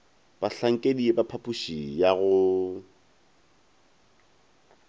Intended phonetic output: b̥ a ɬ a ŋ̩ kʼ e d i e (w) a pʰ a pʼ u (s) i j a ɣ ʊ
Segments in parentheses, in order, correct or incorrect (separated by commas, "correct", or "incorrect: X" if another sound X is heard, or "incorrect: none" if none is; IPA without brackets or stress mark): incorrect: b, incorrect: ʃ